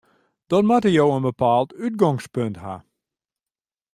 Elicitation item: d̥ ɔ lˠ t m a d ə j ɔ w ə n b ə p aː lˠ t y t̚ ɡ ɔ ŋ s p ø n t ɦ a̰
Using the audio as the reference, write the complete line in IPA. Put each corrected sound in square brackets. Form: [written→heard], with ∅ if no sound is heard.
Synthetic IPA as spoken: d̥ ɔ [lˠ→∅] t m a [d→t] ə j [ɔ→o] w ə n b ə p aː lˠ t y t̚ ɡ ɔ ŋ s p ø n t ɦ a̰

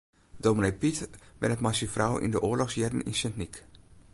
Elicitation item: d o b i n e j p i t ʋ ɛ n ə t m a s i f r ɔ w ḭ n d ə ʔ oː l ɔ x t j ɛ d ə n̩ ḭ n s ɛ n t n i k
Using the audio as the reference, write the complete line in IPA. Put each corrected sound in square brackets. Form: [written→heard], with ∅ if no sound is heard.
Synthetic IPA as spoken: d o [b→m] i n e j p i t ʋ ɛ n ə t m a s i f r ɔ w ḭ n d ə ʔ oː l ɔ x [t→s] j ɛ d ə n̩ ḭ n s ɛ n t n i k

